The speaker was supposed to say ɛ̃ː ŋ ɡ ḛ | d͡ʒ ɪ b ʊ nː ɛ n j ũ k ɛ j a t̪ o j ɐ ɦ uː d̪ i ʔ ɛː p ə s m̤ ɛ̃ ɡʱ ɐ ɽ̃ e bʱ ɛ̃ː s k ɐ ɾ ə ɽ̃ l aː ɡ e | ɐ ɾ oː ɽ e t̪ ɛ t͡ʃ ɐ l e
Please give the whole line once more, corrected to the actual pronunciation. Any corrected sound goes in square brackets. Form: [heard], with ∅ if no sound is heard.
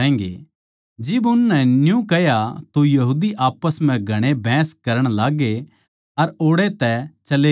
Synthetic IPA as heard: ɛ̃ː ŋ ɡ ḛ | d͡ʒ ɪ b ʊ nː ɛ n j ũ k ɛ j a t̪ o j ɐ ɦ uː d̪ i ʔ [aː] p ə s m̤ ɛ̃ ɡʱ ɐ ɽ̃ e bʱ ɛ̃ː s k ɐ ɾ ə ɽ̃ l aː ɡ e | ɐ ɾ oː ɽ e t̪ ɛ t͡ʃ ɐ l e